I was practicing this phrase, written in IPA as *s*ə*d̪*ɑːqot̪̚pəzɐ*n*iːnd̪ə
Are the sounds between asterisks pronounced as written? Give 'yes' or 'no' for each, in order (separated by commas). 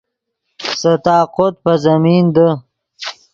yes, no, no